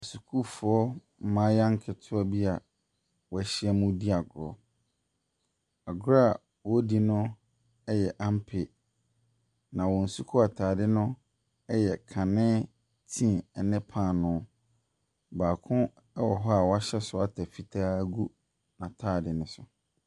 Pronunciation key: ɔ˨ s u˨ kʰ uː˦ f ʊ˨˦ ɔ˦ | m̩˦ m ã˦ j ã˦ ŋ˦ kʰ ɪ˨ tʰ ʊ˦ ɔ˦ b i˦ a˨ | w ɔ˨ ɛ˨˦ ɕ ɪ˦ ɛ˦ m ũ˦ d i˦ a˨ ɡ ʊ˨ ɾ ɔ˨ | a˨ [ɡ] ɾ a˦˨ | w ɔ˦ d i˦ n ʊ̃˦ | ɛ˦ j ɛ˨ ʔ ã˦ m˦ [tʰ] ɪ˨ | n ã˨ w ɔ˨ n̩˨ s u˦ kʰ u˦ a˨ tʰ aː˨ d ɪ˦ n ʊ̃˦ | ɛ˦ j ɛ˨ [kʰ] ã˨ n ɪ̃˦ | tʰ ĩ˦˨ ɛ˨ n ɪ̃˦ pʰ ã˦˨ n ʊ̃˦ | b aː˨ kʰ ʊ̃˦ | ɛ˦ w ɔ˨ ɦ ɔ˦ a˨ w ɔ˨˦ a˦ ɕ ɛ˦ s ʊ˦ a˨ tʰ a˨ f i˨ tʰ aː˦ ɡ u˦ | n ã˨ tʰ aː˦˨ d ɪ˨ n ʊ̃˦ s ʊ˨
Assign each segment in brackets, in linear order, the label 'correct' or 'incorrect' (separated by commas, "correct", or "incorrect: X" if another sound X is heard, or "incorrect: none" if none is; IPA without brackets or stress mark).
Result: correct, incorrect: pʰ, correct